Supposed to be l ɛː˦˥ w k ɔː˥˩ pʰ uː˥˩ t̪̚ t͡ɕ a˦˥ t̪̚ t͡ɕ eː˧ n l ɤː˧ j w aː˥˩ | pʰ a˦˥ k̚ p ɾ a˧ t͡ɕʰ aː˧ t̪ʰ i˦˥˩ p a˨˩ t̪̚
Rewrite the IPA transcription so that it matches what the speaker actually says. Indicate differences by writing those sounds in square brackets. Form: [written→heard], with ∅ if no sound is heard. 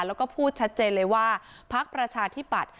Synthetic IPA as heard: l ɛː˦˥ w k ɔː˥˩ pʰ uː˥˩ t̪̚ [t͡ɕ→t͡ɕʰ] a˦˥ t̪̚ t͡ɕ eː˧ n l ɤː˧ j w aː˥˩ | pʰ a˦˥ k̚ p ɾ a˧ t͡ɕʰ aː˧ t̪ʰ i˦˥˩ p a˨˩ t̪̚